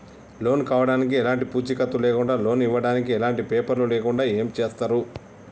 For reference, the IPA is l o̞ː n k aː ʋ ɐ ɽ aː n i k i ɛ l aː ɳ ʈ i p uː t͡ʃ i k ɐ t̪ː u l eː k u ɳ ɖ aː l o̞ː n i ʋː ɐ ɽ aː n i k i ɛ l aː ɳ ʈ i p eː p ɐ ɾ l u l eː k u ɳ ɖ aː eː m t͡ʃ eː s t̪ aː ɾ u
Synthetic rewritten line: l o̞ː n k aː ʋ ɐ ɽ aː n i k i ɛ l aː ɳ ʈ i p uː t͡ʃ i k ɐ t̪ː u l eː k u ɳ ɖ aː l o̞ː n i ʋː ɐ ɽ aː n i k i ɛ l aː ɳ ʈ i p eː p ɐ ɾ l u l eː k u ɳ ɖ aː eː m t͡ʃ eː s t̪ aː ɾ u